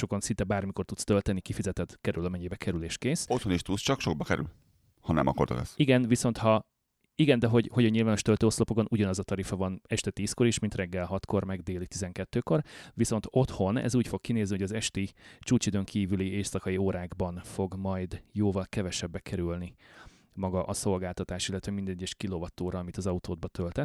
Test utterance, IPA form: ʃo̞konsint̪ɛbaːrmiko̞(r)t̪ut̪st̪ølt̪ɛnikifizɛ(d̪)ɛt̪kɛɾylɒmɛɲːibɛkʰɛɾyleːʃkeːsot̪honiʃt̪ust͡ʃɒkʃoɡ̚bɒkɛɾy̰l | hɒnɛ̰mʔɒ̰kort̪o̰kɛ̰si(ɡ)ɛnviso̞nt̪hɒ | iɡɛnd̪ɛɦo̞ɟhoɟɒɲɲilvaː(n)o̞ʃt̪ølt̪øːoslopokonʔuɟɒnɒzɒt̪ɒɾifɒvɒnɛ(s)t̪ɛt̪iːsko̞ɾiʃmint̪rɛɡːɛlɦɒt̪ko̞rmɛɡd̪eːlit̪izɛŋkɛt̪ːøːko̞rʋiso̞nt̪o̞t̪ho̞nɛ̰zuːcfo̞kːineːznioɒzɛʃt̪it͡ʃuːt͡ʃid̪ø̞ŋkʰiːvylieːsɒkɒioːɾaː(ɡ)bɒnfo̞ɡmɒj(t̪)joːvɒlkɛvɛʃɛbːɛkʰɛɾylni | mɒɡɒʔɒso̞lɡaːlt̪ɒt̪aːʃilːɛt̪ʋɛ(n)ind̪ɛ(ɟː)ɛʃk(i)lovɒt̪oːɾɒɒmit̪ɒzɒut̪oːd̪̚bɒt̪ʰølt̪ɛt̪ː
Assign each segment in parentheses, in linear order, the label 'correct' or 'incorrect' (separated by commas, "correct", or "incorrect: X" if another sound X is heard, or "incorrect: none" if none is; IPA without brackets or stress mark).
correct, incorrect: t̪, correct, correct, incorrect: ʃ, correct, incorrect: d̪, incorrect: m, correct, correct